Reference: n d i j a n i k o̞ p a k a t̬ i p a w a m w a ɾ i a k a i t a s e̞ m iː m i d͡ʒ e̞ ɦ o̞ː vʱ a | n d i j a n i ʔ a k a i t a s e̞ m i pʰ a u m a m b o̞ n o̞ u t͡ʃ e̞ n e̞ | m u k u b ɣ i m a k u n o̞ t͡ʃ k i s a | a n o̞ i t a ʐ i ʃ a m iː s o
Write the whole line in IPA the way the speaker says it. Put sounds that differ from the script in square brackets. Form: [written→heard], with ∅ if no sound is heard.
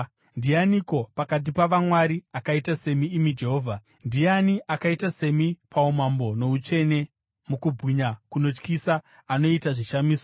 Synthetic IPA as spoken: n d i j a n i k o̞ p a k a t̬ i p a [w→ʋ] a m w a ɾ i a k a i t a s e̞ m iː m i d͡ʒ e̞ ɦ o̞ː vʱ a | n d i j a n i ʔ a k a i t a s e̞ m i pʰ a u m a m b o̞ n o̞ u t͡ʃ e̞ n e̞ | m u k u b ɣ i [m→ɲ] a k u n o̞ t͡ʃ k i s a | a n o̞ i t a ʐ i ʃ a m iː s o